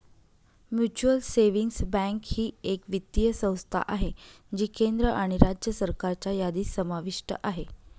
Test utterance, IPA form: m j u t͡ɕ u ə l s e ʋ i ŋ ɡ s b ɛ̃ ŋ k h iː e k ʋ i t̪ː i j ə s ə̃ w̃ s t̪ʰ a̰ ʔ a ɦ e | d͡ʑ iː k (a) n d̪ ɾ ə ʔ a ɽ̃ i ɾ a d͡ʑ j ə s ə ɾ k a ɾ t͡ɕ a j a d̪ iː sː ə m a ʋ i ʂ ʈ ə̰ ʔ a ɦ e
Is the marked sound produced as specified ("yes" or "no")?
no